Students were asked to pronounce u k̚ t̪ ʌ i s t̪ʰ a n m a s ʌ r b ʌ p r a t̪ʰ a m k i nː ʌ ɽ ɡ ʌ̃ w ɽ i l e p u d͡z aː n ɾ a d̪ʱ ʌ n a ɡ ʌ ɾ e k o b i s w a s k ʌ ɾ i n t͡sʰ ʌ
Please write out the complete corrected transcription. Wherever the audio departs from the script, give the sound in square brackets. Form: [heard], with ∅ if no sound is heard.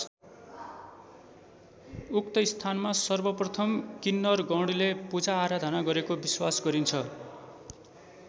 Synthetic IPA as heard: u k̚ t̪ ʌ i s t̪ʰ a n m a s ʌ r b ʌ p r [ʌ] t̪ʰ [ʌ] m k i nː ʌ [r] ɡ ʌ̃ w ɽ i l e p u d͡z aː [∅] ɾ a d̪ʱ ʌ n a ɡ ʌ ɾ e k o b i s w a s [ɡ] ʌ ɾ i n t͡sʰ ʌ